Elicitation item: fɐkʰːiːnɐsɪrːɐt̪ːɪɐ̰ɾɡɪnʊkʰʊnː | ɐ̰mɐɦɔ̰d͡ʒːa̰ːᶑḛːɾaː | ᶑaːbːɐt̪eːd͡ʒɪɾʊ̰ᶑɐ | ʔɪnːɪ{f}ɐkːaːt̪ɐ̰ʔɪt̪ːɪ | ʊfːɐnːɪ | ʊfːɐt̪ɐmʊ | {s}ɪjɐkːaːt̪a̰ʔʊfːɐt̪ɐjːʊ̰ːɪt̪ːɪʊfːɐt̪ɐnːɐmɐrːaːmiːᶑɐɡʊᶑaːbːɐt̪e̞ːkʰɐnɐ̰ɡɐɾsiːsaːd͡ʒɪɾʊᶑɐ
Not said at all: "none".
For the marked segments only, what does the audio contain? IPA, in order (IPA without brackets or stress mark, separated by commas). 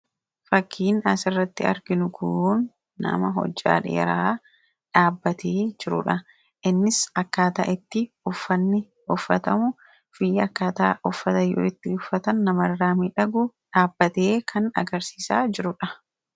s, f